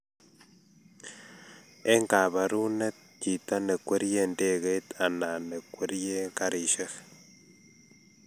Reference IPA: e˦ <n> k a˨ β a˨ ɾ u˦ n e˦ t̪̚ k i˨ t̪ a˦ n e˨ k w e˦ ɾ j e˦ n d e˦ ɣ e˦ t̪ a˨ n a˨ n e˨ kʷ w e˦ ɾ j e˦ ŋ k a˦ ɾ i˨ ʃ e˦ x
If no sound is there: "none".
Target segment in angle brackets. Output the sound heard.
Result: ŋ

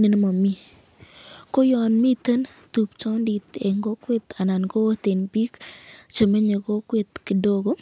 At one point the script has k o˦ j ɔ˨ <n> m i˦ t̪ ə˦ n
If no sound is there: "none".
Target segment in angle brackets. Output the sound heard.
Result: n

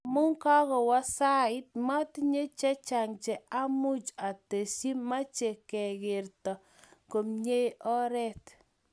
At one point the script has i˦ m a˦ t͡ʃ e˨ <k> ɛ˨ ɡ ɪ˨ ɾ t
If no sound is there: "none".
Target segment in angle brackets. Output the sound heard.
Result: k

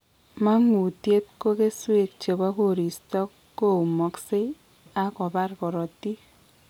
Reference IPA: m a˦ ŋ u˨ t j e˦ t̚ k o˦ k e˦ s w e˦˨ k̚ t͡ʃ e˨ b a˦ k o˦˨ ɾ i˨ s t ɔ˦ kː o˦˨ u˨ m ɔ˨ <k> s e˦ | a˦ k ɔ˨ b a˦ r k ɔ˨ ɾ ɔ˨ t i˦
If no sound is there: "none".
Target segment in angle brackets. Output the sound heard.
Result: k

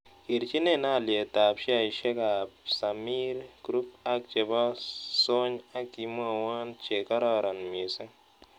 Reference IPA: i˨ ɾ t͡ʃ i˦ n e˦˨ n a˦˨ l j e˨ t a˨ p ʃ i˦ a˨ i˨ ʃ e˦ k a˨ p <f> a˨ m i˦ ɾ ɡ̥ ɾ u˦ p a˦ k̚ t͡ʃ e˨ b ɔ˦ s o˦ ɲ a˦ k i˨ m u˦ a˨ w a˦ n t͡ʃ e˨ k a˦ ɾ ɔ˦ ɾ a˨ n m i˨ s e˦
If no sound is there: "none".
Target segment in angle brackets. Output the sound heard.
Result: s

